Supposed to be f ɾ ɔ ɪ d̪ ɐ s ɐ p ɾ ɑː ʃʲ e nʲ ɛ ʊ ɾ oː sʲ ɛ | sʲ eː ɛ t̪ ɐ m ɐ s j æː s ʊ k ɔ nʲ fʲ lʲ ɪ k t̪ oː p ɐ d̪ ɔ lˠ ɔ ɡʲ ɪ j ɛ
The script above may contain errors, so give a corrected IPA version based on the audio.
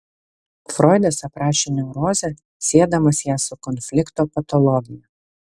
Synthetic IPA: f ɾ ɔ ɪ d̪ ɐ s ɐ p ɾ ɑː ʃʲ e nʲ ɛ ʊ ɾ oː zʲ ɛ | sʲ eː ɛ d̪ ɐ m ɐ s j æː s ʊ k ɔ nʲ fʲ lʲ ɪ k t̪ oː p ɐ t̪ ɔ lˠ ɔ ɡʲ ɪ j ɛ

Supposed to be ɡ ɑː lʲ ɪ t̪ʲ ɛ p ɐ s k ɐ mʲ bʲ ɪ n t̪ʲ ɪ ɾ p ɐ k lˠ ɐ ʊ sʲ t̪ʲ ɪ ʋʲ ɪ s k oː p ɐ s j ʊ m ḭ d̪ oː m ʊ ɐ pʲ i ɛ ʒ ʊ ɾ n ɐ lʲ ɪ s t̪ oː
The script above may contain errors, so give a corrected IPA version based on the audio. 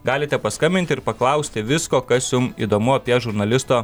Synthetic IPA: ɡ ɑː lʲ ɪ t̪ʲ ɛ p ɐ s k ɐ mʲ bʲ ɪ n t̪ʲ ɪ ɾ p ɐ k lˠ ɐ ʊ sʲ t̪ʲ ɪ ʋʲ ɪ s k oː k ɐ s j ʊ m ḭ d̪ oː m ʊ ɐ pʲ i ɛ ʒ ʊ ɾ n ɐ lʲ ɪ s t̪ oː

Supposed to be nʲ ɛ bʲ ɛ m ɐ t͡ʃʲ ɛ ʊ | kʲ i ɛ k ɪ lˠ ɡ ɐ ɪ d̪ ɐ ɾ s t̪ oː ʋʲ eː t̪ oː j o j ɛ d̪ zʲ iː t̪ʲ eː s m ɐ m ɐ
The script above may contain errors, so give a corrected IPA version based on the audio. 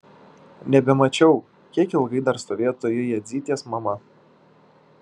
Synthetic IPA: nʲ ɛ bʲ ɛ m ɐ t͡ʃʲ ɛ ʊ | kʲ i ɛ k ɪ lˠ ɡ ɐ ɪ d̪ ɐ ɾ s t̪ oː ʋʲ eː t̪ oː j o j ɛ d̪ zʲ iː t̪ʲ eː s m ɐ m ɐ

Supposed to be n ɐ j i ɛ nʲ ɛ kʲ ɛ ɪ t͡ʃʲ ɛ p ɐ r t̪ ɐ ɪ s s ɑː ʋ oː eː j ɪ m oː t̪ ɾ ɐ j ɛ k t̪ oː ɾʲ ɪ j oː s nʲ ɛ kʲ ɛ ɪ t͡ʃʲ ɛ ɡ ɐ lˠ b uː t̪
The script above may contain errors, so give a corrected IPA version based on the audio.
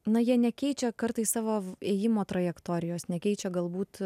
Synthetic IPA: n ɐ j i ɛ nʲ ɛ kʲ ɛ ɪ t͡ʃʲ ɛ k ɐ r t̪ ɐ ɪ s s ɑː ʋ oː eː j ɪ m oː t̪ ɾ ɐ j ɛ k t̪ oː ɾʲ ɪ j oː s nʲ ɛ kʲ ɛ ɪ t͡ʃʲ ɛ ɡ ɐ lˠ b uː t̪

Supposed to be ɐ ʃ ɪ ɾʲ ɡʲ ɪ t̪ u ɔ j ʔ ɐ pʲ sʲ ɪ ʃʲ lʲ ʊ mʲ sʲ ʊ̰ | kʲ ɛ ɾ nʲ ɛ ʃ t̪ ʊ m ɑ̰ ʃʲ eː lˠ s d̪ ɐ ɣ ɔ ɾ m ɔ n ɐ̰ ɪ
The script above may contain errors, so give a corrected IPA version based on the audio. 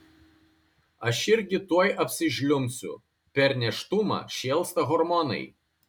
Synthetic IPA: ɐ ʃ ɪ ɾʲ ɡʲ ɪ t̪ u ɔ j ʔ ɐ pʲ sʲ ɪ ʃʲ lʲ ʊ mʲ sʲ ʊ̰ | pʲ ɛ ɾ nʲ ɛ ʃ t̪ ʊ m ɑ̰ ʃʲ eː lˠ s t̪ ɐ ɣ ɔ ɾ m ɔ n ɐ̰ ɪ

